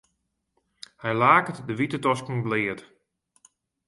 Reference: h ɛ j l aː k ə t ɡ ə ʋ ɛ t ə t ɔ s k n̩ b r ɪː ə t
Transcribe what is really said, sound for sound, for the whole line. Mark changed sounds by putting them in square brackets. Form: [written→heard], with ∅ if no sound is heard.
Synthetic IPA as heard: h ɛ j l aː k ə t [ɡ→d] ə ʋ [ɛ→i] t ə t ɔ s k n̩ b [r→l] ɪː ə t